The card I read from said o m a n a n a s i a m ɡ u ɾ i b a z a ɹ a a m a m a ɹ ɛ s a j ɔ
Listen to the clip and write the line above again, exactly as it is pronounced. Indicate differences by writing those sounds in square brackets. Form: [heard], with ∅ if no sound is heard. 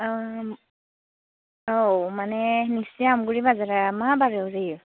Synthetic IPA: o m a n [ɛ] n [i] s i a m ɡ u [ɹ] i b a z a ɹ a a m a [b] a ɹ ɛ [z] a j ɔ